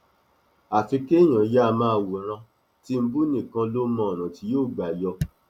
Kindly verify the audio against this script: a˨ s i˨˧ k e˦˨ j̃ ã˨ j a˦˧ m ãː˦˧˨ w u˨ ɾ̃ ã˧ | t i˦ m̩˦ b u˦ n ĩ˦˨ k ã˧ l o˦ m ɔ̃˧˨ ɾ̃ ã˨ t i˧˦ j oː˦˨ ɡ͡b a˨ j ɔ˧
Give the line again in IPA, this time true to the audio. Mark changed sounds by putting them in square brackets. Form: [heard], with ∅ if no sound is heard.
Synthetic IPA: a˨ [f] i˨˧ k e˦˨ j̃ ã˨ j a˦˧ m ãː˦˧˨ w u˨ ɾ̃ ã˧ | t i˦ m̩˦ b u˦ n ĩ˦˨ k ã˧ l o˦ m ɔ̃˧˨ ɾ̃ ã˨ t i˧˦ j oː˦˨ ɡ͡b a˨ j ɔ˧